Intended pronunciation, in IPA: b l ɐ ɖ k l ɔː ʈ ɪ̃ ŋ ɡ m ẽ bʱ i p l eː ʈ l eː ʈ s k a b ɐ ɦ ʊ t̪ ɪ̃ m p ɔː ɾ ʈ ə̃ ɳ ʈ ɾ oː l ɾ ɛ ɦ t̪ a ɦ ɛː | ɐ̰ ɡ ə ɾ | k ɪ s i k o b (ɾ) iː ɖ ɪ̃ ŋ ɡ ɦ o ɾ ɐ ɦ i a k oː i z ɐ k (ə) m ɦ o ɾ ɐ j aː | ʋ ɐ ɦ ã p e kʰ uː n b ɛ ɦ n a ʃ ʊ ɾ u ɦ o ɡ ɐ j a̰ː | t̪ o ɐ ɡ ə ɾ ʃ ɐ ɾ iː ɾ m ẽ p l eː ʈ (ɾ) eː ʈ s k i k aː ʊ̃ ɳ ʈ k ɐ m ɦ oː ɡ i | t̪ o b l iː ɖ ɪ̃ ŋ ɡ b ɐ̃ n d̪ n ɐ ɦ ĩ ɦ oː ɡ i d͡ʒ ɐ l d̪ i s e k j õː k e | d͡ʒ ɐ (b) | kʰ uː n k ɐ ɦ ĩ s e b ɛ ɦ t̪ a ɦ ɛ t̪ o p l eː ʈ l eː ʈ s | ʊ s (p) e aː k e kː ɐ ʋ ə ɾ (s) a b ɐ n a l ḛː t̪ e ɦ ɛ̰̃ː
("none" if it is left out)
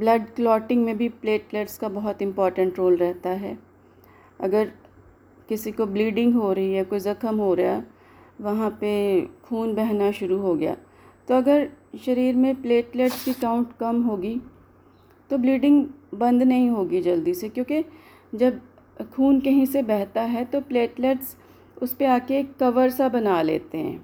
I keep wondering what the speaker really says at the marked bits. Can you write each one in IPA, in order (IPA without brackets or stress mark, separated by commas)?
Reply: l, ə, l, b, p, s